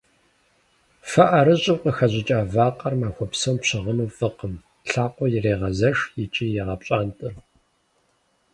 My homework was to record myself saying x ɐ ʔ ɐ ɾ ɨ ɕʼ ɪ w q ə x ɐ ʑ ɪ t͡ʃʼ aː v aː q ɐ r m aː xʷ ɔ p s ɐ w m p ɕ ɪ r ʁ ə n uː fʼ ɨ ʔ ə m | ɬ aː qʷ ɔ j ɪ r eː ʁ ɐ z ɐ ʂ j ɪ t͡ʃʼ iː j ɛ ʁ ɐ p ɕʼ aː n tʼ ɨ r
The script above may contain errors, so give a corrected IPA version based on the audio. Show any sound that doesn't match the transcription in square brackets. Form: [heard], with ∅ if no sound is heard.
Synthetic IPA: [f] ɐ ʔ ɐ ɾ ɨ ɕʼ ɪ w q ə x ɐ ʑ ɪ t͡ʃʼ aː v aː q ɐ r m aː xʷ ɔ p s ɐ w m p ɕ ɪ [∅] ʁ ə n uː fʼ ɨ [q] ə m | ɬ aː qʷ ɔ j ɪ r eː ʁ ɐ z ɐ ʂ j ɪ t͡ʃʼ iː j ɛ ʁ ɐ p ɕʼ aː n tʼ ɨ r